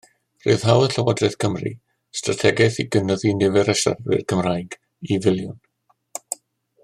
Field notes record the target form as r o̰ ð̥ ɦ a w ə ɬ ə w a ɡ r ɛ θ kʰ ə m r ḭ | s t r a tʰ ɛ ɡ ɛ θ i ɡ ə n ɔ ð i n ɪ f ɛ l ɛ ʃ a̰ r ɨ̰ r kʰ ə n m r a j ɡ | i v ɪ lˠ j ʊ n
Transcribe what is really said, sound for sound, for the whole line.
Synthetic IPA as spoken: r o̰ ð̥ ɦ a w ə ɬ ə w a d r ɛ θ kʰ ə m r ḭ | s t r a tʰ ɛ ɡ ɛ θ i ɡ ə n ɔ ð i n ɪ v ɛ ɾ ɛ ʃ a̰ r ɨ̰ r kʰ ə m r a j ɡ | i v ɪ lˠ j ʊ n